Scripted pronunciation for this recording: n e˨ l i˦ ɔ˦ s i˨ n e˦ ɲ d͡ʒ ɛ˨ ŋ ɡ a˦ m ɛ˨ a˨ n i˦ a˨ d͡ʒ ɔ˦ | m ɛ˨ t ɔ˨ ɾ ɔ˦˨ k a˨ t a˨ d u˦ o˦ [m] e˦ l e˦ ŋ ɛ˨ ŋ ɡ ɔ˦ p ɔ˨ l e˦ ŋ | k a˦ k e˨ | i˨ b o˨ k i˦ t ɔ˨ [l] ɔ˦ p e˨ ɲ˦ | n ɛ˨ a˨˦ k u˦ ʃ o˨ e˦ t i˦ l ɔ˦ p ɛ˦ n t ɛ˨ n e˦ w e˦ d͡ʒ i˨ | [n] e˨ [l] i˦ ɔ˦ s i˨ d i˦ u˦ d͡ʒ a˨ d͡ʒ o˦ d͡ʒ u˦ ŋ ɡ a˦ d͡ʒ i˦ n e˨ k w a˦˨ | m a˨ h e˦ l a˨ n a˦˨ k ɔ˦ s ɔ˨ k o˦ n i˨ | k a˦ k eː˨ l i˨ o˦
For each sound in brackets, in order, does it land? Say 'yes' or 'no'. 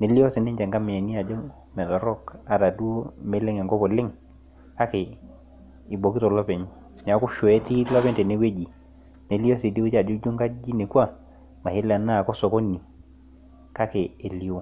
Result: yes, yes, yes, yes

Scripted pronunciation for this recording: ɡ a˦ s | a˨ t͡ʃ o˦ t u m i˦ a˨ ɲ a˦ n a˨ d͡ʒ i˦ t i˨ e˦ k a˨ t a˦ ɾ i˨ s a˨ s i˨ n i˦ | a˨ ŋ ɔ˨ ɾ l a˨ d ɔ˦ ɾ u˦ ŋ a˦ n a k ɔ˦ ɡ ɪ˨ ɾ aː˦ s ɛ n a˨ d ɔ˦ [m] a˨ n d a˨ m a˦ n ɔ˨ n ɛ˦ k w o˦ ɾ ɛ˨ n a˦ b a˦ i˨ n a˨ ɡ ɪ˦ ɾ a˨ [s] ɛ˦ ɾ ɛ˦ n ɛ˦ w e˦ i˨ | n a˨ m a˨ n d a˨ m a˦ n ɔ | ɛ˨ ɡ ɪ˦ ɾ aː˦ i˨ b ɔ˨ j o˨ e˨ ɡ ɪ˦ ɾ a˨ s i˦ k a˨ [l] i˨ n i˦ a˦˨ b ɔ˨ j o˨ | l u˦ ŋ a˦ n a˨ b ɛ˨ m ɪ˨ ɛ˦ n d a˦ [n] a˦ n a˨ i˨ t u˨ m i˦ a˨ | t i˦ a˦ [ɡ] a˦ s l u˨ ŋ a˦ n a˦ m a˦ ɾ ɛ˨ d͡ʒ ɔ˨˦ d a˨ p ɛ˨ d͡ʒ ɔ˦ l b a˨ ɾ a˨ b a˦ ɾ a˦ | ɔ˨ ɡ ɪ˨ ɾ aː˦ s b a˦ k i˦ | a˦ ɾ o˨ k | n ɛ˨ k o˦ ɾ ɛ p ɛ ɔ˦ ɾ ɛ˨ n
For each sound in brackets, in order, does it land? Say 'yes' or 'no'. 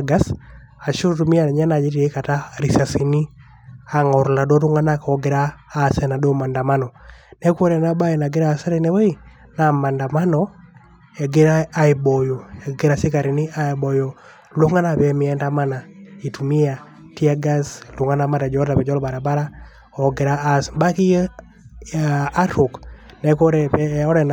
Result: yes, yes, no, no, yes

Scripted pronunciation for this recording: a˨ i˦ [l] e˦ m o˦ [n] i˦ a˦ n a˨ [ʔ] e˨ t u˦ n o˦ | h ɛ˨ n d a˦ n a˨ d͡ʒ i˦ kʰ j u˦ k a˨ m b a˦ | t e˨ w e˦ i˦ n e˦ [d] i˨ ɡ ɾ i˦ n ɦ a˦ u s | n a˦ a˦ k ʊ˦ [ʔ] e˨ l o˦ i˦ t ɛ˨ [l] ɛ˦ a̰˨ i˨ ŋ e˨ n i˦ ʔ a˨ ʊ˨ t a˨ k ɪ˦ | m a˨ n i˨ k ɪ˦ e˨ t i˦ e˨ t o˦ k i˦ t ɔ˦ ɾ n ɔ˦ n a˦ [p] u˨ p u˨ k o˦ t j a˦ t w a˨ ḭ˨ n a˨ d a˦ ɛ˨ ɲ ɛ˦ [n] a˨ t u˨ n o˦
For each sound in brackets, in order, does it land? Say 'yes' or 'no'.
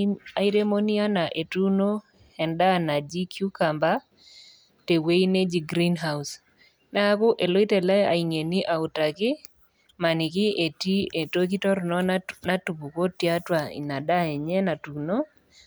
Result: no, yes, yes, no, yes, yes, no, yes

